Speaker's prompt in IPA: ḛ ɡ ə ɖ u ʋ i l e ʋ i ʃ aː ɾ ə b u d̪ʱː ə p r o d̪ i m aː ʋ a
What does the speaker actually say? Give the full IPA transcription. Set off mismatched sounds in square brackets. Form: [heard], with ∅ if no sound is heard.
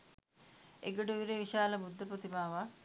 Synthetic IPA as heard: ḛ ɡ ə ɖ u ʋ i [ɾ] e ʋ i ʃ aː [l] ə b u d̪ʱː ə p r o [t̪] i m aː ʋ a